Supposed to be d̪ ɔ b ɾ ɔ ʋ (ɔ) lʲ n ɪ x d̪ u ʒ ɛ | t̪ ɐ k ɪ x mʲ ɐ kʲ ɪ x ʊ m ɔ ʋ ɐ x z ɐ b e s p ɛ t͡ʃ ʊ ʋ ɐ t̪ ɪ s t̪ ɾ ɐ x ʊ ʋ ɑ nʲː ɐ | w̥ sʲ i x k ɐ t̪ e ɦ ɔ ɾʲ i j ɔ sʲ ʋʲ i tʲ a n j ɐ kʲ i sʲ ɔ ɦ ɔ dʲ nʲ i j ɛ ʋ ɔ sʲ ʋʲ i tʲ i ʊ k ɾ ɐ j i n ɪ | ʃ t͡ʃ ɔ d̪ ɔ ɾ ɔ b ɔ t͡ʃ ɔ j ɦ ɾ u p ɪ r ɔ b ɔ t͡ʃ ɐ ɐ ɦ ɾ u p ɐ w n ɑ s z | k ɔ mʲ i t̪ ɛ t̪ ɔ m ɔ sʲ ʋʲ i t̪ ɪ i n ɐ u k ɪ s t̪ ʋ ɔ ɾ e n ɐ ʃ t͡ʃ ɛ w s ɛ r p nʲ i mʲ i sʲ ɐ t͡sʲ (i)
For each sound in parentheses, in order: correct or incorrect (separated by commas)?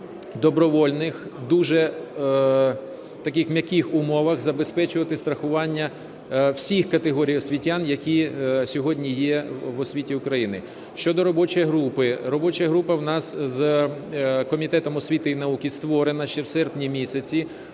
correct, correct